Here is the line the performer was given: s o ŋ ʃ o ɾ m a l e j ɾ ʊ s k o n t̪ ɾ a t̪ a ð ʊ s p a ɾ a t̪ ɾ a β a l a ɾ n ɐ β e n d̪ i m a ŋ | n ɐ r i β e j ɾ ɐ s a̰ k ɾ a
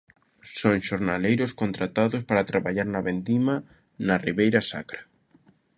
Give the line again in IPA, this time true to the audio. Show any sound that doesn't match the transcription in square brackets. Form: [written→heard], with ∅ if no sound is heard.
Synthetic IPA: s o ŋ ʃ o ɾ [m→n] a l e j ɾ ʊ s k o n t̪ ɾ a t̪ a ð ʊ s p a ɾ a t̪ ɾ a β a [l→ʎ] a ɾ n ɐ β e n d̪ i m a [ŋ→∅] | n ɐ r i β e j ɾ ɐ s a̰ k ɾ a